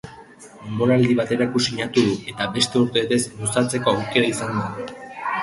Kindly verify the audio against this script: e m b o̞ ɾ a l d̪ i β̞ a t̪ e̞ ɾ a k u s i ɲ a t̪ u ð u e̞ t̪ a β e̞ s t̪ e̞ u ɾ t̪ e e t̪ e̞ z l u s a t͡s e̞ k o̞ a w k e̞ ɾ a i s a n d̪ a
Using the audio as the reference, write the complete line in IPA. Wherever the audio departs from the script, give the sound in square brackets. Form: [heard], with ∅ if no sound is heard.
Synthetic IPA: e m b o̞ ɾ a l d̪ i β̞ a t̪ e̞ ɾ a k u s i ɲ a t̪ u ð u e̞ t̪ a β e̞ s t̪ e̞ u ɾ t̪ e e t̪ e̞ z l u s a t͡s e̞ k o̞ a w k e̞ ɾ a i s a n d̪ a